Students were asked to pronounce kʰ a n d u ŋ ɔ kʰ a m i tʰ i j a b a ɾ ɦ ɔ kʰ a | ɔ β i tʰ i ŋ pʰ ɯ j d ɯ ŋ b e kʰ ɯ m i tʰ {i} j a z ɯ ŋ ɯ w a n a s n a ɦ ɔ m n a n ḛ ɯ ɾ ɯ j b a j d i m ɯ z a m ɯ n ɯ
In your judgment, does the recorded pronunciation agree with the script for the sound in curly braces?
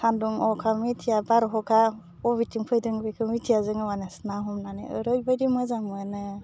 yes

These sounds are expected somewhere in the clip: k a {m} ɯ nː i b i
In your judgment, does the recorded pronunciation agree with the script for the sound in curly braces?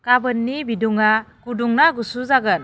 no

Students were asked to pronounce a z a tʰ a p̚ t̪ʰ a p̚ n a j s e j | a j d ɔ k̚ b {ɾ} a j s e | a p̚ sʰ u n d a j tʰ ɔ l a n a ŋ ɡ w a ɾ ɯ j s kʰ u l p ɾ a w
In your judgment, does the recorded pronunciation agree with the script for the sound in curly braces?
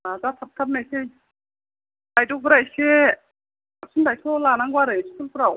yes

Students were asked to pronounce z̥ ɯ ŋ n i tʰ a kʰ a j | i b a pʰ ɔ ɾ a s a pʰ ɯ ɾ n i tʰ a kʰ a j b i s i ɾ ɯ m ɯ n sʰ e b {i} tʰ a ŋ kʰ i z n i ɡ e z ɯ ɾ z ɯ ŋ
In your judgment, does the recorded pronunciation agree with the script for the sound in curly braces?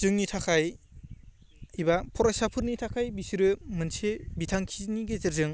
yes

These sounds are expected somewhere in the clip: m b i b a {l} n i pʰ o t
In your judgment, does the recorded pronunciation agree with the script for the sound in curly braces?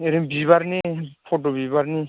no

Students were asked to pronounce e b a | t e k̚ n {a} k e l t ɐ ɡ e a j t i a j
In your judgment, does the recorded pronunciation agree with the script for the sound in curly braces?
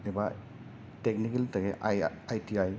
no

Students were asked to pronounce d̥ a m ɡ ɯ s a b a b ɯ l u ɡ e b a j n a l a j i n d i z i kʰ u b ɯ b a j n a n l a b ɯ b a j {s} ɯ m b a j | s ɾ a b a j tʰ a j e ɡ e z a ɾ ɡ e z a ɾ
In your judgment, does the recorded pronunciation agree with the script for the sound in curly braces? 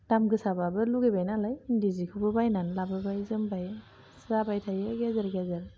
no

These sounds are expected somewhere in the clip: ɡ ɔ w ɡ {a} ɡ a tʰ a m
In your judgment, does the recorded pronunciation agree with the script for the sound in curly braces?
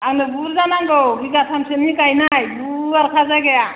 no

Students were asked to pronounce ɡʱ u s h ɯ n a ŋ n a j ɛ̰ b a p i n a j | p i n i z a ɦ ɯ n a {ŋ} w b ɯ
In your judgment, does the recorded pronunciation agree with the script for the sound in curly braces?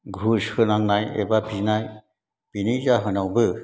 no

